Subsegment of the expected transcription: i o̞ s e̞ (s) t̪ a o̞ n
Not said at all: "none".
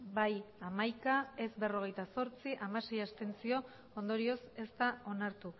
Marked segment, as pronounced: s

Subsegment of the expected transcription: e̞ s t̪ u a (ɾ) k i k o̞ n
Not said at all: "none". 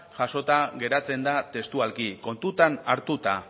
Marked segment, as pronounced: l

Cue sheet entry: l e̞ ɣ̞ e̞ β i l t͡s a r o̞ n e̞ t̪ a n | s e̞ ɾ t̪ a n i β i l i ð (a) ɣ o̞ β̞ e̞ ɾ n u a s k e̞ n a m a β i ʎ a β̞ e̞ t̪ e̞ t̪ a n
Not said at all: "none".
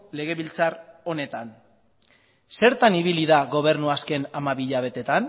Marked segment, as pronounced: a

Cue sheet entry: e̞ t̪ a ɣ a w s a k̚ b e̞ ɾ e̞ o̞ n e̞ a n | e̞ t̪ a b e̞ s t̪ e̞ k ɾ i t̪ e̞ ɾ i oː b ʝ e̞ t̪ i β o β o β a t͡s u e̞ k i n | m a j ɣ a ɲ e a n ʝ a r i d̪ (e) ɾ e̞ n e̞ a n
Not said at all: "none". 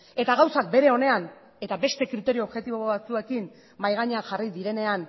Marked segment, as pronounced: i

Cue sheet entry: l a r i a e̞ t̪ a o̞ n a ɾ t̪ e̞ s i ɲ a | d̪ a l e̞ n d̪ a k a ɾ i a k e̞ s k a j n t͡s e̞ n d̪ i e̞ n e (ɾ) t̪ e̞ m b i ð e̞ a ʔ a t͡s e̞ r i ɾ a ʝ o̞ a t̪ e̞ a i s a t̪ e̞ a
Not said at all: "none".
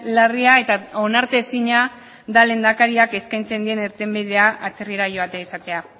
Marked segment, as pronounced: ɾ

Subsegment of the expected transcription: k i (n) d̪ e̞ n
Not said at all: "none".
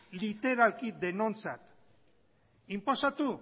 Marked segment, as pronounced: none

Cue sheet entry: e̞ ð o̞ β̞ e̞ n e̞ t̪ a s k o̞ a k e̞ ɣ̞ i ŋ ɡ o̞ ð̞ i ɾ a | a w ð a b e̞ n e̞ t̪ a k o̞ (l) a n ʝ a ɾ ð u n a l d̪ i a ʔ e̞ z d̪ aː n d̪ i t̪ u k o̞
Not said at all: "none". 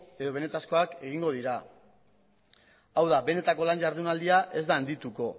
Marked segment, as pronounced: l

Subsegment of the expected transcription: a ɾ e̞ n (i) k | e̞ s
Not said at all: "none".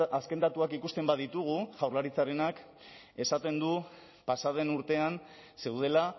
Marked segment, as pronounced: a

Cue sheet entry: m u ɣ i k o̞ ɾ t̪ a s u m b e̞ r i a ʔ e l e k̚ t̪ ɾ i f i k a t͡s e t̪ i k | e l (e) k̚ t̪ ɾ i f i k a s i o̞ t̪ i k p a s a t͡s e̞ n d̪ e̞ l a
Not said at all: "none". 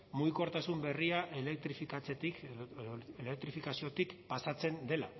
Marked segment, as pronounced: e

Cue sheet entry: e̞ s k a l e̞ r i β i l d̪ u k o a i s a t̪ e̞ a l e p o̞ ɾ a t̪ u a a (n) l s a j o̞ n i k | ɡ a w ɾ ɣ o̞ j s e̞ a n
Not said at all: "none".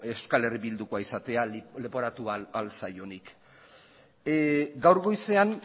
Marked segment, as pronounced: none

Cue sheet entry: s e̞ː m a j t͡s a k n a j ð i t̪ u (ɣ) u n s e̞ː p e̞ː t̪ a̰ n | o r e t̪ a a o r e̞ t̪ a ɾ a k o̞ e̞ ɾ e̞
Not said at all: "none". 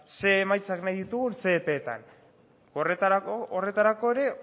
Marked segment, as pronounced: ɣ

